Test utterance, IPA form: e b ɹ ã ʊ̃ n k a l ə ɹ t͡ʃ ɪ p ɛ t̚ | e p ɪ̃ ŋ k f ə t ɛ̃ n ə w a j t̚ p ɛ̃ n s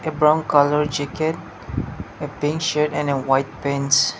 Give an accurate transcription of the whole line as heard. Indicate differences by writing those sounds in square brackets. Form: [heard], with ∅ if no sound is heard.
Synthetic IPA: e b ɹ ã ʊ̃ n k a l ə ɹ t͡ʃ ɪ [k] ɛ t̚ | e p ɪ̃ ŋ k [ʃ] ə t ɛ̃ n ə w a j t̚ p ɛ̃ n s